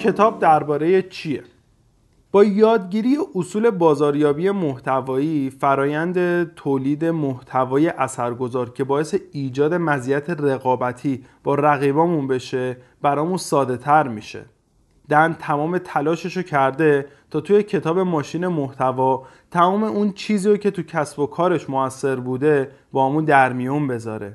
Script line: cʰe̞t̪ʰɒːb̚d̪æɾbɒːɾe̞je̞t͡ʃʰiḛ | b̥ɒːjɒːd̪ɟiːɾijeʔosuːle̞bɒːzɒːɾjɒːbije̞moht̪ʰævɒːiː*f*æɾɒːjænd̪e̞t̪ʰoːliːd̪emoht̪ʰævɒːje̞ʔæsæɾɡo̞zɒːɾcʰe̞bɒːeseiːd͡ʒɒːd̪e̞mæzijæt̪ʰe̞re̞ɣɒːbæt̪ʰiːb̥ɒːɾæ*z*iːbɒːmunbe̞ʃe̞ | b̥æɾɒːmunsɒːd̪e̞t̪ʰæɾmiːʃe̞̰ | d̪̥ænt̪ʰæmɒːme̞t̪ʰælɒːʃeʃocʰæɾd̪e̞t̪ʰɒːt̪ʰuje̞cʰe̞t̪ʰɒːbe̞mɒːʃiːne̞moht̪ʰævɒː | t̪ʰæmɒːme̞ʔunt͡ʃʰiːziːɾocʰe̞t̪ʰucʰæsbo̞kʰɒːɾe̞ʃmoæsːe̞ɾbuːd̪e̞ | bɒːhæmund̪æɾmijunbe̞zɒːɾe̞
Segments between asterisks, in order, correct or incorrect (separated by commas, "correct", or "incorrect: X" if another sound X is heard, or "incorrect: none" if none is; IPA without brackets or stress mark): correct, incorrect: ɣ